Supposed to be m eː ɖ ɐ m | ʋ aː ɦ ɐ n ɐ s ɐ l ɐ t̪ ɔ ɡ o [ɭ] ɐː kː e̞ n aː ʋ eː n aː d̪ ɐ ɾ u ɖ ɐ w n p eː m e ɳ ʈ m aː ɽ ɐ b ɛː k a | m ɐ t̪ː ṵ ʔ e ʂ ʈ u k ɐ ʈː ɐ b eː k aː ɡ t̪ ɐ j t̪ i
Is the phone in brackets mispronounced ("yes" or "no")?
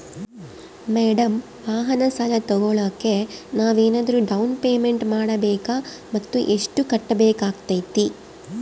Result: no